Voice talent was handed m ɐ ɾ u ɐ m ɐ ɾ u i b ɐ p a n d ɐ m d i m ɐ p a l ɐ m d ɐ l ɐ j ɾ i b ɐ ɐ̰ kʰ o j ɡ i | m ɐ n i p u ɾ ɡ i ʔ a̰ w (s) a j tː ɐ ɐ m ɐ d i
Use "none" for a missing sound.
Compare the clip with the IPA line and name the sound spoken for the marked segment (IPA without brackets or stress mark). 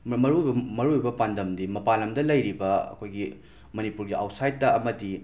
s